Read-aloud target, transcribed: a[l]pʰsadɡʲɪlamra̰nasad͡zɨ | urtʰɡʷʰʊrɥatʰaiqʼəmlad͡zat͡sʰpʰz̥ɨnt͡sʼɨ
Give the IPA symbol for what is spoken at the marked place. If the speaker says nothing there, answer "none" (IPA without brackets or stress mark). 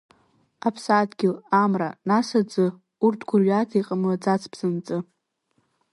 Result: none